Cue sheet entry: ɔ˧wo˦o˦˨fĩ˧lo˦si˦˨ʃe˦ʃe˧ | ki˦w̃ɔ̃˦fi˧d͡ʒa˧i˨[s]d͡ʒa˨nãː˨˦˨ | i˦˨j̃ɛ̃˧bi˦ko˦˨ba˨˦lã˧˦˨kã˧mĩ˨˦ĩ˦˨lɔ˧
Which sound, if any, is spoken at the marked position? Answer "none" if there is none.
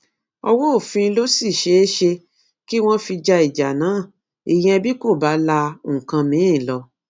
none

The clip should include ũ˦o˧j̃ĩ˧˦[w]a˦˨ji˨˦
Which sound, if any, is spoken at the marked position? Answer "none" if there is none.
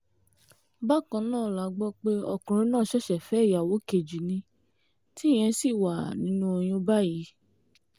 b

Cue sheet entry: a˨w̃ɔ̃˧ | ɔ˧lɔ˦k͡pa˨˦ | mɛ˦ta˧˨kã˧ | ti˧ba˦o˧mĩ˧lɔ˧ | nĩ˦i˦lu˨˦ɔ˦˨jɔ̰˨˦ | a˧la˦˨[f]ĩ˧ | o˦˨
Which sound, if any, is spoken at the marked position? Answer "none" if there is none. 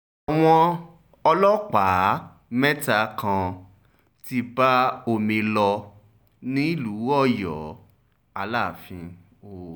f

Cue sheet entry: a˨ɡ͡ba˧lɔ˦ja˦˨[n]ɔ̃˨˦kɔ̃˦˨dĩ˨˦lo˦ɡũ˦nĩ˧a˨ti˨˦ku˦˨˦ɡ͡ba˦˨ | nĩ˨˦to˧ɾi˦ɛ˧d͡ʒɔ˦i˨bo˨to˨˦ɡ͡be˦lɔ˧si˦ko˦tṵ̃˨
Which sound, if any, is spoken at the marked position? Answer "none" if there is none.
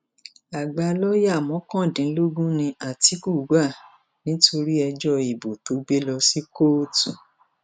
m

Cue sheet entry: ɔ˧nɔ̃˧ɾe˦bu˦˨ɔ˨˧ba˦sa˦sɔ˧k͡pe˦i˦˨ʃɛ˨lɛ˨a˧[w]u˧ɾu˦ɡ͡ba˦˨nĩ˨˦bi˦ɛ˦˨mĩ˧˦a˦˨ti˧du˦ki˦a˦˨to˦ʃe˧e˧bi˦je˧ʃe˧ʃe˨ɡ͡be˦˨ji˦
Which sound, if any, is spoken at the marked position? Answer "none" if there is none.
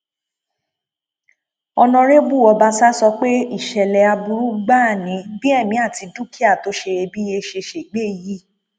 b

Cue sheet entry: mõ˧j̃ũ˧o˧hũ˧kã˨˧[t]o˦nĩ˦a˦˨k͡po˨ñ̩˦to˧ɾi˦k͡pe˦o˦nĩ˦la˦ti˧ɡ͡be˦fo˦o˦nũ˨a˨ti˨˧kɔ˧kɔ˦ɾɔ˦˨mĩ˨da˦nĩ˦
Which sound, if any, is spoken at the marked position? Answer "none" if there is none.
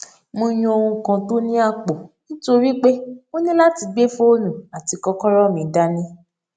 t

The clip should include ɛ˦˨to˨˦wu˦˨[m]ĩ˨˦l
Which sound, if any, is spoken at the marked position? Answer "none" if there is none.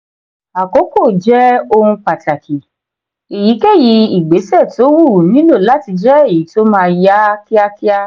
n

